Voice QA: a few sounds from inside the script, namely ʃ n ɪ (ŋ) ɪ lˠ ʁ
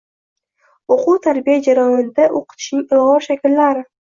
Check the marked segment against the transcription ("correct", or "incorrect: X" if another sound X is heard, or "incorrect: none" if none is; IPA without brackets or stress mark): correct